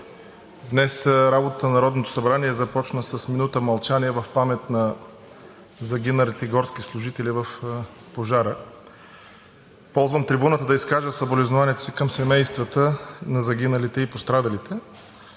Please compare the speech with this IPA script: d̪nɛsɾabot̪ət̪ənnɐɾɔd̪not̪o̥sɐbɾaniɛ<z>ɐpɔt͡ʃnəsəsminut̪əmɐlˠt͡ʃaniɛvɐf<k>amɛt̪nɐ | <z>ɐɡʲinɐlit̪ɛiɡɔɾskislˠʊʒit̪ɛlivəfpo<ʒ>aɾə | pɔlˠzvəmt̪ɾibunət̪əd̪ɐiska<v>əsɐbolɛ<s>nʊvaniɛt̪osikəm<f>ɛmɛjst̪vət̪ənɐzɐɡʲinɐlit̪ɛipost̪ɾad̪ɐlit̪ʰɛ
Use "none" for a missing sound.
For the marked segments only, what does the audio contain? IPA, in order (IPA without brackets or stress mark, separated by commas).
z, p, z, ʒ, ʒ, z, s